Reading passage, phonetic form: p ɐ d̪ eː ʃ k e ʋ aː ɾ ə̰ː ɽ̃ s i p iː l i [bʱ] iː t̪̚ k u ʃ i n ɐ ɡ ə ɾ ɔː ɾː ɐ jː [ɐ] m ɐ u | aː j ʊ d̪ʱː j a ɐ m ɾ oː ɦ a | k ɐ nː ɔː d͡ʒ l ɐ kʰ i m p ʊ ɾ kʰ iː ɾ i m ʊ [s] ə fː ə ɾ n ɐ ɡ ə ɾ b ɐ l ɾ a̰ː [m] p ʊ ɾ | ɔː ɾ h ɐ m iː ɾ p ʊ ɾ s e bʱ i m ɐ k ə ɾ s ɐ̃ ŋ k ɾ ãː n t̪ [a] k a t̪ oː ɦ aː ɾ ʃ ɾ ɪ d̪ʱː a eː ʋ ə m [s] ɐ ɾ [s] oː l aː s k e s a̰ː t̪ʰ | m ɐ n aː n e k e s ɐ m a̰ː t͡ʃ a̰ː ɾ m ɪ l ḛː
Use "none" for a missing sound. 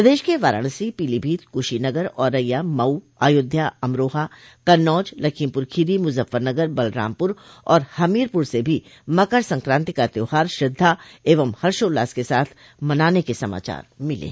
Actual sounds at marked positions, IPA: bʱ, a, z, m, i, h, ʃ

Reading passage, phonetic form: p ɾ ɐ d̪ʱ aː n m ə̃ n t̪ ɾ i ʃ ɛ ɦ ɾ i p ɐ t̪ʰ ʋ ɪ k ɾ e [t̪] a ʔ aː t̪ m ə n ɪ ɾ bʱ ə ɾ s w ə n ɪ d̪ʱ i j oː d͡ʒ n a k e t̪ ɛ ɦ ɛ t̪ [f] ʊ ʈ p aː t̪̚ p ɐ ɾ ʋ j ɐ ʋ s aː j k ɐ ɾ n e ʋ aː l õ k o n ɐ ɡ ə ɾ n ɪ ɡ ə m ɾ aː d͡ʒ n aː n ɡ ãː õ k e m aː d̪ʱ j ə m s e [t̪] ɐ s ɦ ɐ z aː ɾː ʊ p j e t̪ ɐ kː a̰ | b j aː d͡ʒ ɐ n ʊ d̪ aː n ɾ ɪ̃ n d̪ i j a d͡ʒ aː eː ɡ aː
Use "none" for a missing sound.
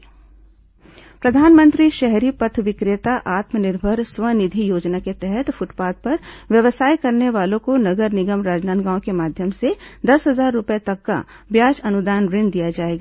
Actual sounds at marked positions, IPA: t̪, f, d̪

